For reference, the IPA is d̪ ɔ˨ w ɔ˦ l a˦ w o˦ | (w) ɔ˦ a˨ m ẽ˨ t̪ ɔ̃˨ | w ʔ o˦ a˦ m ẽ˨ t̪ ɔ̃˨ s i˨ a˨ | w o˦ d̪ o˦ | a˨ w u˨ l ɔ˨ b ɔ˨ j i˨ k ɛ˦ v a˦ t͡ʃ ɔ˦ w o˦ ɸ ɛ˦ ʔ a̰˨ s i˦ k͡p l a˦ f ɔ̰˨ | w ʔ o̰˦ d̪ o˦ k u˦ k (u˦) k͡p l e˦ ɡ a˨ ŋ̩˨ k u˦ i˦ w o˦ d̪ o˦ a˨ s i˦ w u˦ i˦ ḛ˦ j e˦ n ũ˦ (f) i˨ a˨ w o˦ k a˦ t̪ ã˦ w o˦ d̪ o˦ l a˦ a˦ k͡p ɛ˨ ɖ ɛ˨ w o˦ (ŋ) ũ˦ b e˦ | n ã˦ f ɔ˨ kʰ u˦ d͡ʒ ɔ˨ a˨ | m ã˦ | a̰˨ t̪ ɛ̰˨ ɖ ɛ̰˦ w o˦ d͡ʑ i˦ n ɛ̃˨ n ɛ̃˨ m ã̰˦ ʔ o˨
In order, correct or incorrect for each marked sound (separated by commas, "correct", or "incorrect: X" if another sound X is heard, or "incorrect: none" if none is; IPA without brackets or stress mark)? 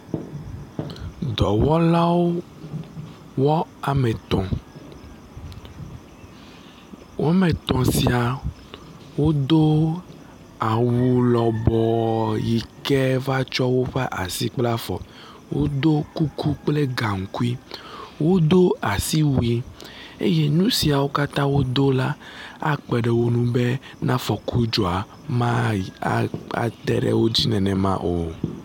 correct, correct, incorrect: s, incorrect: n